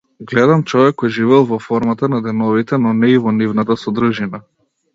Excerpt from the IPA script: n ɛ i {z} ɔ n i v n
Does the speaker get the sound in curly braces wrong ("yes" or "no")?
yes